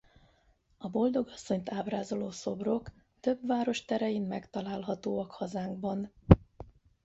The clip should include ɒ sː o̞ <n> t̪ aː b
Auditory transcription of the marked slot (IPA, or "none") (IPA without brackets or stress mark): ɲ